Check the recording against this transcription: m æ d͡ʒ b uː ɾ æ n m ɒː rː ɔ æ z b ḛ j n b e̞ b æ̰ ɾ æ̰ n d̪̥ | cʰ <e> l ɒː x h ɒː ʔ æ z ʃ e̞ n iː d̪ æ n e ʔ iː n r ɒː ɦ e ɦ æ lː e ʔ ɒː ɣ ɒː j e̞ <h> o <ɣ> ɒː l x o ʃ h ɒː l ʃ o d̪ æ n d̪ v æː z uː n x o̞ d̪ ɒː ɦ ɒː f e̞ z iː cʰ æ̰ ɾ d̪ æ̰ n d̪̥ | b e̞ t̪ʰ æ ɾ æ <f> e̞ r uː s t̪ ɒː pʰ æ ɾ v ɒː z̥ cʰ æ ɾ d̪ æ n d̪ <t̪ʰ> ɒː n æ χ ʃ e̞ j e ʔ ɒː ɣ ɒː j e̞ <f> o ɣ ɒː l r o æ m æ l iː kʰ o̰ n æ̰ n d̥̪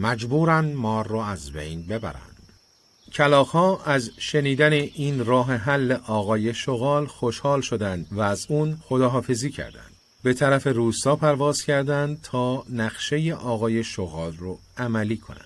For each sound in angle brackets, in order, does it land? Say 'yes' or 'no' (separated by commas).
no, no, yes, yes, yes, no